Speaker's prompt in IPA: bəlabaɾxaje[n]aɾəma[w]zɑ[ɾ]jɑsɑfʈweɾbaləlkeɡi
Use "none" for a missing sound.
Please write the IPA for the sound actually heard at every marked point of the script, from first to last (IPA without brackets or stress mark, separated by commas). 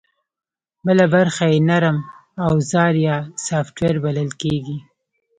n, w, ɾ